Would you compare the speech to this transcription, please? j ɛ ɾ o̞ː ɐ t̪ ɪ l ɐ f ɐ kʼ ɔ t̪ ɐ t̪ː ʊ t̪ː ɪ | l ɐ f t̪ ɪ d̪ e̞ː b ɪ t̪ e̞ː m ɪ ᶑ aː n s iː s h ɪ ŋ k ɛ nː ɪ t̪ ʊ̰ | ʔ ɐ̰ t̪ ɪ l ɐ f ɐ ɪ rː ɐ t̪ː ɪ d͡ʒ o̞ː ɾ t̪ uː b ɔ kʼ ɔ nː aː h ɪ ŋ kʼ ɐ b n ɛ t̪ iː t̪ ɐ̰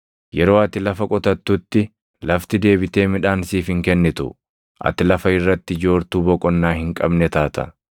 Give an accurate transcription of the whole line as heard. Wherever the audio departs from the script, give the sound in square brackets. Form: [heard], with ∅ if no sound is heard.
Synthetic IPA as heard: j ɛ ɾ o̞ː ɐ t̪ ɪ l ɐ f ɐ kʼ ɔ t̪ ɐ t̪ː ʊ t̪ː ɪ | l ɐ f t̪ ɪ d̪ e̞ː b ɪ t̪ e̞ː m ɪ ᶑ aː n s iː [f] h ɪ ŋ k ɛ nː ɪ t̪ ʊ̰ | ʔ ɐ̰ t̪ ɪ l ɐ f ɐ ɪ rː ɐ t̪ː ɪ d͡ʒ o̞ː ɾ t̪ uː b ɔ kʼ ɔ nː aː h ɪ ŋ kʼ ɐ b n ɛ t̪ [aː] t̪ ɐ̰